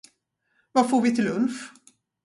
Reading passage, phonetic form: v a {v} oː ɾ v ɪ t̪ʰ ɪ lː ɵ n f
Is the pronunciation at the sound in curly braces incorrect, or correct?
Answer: incorrect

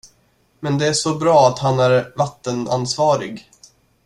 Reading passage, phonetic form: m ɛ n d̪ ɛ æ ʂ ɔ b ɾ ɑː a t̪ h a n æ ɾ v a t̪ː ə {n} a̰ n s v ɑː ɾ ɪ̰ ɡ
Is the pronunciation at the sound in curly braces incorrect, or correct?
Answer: correct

